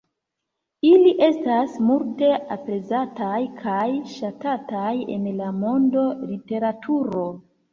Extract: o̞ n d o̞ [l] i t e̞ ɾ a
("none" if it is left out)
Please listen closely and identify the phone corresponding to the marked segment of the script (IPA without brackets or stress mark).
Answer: l